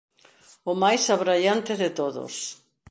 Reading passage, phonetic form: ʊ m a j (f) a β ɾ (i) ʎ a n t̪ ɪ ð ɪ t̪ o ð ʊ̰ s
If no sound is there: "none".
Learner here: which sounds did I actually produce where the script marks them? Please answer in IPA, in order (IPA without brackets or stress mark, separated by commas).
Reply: s, a